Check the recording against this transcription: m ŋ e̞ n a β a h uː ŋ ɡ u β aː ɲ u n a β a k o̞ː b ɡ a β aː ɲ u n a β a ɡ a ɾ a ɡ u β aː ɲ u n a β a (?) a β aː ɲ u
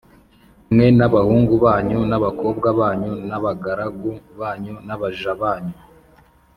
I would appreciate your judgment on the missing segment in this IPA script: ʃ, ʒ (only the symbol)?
ʒ